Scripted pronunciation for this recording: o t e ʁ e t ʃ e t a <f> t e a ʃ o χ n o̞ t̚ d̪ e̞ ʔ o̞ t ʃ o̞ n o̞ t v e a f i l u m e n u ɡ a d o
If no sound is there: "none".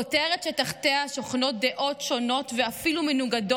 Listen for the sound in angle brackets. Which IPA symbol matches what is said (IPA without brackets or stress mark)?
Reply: χ